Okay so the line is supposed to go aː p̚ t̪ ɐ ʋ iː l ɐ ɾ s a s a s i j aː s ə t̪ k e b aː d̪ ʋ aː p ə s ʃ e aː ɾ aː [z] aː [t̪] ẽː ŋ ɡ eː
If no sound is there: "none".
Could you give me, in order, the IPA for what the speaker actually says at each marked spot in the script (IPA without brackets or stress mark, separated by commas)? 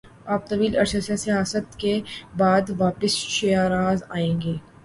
z, none